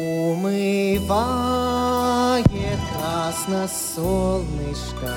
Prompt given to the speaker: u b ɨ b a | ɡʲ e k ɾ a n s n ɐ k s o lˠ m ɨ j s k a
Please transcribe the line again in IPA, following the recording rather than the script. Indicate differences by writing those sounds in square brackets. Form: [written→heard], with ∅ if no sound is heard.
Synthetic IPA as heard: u [b→m] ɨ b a | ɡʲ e k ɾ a [n→∅] s n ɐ [k→∅] s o lˠ [m→n] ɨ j [s→ʂ] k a